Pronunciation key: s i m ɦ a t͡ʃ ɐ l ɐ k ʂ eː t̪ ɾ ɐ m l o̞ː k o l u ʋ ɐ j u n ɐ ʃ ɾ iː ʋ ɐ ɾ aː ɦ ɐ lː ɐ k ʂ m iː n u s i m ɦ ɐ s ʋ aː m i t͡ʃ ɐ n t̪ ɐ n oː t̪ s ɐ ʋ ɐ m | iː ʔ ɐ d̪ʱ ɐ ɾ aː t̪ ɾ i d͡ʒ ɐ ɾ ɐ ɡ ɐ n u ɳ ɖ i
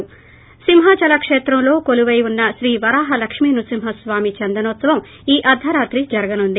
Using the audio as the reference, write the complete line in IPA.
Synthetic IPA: s i m ɦ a t͡ʃ ɐ l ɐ k ʂ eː t̪ ɾ ɐ m l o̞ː k o l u ʋ ɐ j u nː ɐ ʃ ɾ iː ʋ ɐ ɾ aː ɦ ɐ l ɐ k ʂ m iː n u s i m ɦ ɐ s ʋ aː m i t͡ʃ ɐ n d̪ ɐ n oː t̪ s ɐ ʋ ɐ m | iː ʔ ɐ d̪ʱ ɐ ɾ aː t̪ ɾ i d͡ʒ ɐ ɾ ɐ ɡ ɐ n u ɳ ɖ i